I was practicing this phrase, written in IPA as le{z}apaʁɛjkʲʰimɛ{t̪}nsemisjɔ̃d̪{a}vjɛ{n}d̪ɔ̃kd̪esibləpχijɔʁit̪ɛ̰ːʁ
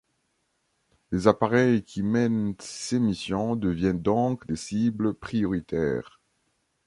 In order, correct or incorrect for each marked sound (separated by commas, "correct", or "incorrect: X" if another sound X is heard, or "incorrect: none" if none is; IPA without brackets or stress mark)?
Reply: correct, incorrect: none, incorrect: ə, correct